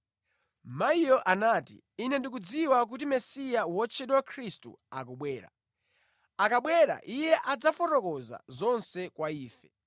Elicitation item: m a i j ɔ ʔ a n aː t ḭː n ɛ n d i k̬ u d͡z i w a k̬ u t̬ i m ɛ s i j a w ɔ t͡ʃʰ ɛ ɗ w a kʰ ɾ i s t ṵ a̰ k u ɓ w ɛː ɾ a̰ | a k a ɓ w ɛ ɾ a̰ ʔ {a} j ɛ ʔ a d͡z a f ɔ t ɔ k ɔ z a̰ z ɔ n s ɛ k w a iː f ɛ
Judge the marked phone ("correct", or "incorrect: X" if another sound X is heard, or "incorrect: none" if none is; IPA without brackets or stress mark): incorrect: i